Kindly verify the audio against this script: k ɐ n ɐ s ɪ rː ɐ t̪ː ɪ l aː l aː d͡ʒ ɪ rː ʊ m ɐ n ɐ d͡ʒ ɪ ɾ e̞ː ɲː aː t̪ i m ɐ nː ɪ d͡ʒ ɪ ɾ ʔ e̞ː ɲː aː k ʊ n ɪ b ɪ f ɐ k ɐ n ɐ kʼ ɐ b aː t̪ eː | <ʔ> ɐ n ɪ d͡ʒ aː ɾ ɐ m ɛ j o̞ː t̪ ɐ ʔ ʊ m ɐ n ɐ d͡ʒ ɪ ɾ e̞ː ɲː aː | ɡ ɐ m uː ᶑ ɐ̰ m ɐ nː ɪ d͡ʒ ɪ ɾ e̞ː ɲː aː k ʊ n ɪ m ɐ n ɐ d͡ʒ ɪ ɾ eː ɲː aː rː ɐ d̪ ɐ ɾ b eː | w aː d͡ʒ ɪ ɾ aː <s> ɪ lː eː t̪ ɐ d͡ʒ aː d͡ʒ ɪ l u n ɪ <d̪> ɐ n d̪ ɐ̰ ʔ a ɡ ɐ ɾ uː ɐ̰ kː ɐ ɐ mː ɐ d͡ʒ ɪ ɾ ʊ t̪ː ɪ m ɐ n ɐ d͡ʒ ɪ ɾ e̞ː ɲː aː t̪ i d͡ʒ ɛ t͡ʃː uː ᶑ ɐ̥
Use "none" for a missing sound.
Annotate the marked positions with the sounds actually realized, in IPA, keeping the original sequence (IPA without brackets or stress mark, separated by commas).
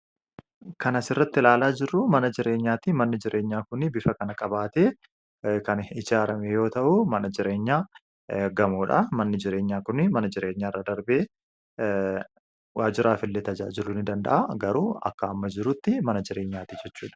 k, f, d̪